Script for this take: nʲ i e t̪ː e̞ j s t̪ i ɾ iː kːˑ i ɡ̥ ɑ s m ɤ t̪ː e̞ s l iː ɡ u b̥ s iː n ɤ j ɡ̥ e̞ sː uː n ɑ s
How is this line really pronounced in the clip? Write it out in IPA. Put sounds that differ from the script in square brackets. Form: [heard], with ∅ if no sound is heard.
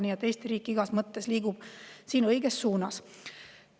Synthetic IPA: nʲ i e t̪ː e̞ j s t̪ i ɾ iː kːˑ i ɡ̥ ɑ s m ɤ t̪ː e̞ s l iː ɡ u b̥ s iː n ɤ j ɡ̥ e̞ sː uː n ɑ s